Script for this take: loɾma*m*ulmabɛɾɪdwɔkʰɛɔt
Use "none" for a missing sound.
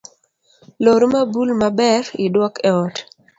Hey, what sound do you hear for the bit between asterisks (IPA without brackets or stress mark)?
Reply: b